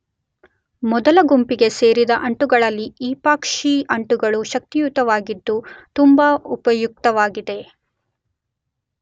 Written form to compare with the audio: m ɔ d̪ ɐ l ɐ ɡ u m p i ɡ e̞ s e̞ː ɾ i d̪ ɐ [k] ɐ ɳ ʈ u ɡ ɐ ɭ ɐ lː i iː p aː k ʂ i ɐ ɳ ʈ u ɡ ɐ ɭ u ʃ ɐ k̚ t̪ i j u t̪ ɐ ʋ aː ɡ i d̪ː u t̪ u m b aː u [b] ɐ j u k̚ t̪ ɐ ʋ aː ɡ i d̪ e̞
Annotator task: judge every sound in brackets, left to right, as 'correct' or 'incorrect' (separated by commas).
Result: incorrect, incorrect